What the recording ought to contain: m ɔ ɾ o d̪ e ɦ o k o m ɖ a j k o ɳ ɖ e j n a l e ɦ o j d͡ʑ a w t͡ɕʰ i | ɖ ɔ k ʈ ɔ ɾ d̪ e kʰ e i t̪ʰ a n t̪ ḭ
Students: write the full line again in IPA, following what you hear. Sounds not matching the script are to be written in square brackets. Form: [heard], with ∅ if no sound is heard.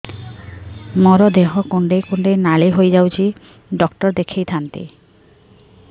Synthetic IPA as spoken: m ɔ ɾ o d̪ e ɦ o k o [ɳ] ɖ [e] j k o ɳ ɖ e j n a l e ɦ o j d͡ʑ a w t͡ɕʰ i | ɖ ɔ k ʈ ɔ ɾ d̪ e kʰ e [j] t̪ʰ a n t̪ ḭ